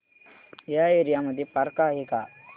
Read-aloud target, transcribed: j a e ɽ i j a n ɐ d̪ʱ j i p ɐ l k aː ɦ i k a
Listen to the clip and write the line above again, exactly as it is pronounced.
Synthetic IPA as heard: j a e ɾ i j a m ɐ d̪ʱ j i p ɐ ɾ k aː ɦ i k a